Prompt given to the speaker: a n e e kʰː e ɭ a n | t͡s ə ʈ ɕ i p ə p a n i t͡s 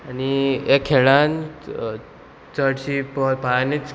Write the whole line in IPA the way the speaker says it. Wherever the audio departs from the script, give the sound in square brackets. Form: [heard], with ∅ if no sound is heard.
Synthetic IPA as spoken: a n [i] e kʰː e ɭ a n | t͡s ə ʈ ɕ i p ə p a n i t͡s